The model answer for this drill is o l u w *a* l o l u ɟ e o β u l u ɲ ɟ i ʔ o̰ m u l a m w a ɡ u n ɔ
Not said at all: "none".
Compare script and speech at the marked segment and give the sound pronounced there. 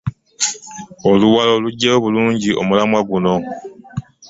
a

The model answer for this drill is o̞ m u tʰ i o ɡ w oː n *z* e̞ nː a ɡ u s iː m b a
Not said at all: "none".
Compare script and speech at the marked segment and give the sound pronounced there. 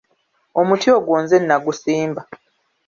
z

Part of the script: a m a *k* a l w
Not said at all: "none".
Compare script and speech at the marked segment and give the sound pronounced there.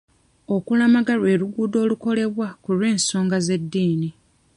ɡ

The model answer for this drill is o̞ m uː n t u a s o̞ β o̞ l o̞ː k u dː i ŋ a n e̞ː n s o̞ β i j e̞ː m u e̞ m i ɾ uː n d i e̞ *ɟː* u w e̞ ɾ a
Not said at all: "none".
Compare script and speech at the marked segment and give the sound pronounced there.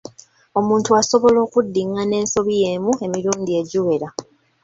ɟ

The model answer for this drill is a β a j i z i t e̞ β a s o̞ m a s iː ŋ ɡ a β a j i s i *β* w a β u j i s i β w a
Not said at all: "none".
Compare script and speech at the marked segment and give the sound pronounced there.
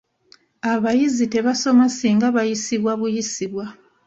β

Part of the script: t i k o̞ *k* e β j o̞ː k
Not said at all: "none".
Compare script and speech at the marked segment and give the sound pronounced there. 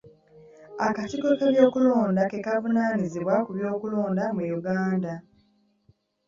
k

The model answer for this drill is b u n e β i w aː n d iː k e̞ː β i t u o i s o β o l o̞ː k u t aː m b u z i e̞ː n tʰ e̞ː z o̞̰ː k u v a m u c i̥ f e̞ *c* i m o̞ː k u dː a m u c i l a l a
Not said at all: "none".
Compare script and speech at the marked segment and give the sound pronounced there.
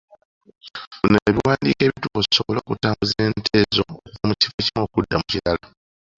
c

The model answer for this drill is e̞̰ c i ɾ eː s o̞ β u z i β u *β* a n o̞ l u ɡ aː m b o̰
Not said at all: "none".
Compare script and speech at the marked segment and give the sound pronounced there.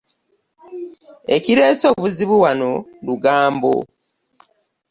w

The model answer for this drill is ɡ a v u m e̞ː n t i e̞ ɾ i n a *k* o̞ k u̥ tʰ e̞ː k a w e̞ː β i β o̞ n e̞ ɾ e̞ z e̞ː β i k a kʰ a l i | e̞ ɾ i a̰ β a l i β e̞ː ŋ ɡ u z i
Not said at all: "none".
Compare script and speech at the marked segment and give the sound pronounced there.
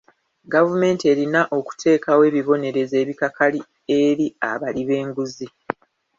ʔ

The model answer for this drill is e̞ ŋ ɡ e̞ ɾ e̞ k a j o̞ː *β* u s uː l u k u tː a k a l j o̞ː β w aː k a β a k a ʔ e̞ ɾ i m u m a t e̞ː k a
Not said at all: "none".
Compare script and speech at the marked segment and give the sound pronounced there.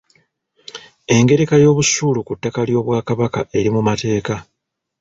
β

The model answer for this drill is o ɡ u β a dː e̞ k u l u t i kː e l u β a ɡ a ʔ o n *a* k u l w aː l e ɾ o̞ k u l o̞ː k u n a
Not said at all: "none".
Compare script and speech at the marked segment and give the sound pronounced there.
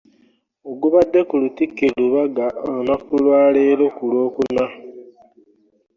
a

